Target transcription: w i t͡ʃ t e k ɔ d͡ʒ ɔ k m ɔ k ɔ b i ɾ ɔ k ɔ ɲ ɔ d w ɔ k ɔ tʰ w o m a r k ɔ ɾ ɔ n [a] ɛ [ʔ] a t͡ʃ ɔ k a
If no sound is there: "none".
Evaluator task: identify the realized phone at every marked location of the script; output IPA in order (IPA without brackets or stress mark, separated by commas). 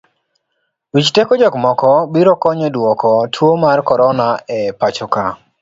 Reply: a, p